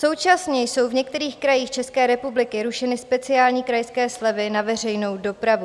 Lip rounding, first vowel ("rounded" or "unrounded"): rounded